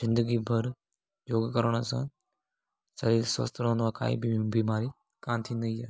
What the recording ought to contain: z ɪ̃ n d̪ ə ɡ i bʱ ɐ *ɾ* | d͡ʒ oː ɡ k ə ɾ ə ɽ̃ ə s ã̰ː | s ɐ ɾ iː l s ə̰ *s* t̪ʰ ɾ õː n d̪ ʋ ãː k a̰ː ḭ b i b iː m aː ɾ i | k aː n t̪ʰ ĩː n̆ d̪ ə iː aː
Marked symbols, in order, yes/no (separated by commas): yes, yes